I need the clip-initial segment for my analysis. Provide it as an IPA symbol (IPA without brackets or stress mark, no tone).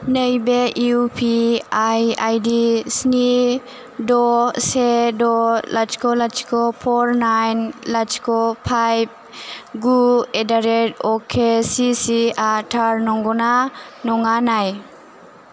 n